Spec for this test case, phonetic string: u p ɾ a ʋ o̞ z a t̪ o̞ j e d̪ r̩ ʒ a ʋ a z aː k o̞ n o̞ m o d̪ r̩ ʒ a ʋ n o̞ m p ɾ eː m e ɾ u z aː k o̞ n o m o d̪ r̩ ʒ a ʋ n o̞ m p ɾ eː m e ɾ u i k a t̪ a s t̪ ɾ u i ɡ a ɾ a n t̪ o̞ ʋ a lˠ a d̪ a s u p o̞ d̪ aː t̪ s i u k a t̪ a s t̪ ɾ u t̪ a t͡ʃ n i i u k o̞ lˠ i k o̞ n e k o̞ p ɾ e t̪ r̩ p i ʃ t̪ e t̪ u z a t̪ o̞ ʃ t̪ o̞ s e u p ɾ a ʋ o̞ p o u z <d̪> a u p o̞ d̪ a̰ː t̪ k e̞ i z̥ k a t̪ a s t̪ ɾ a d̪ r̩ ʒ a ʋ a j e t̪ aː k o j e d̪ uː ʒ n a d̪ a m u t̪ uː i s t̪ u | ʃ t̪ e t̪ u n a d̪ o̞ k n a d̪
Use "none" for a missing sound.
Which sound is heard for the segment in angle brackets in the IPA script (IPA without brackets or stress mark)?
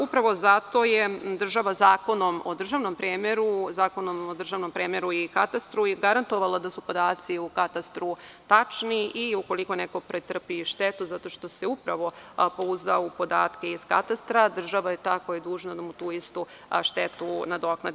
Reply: d̪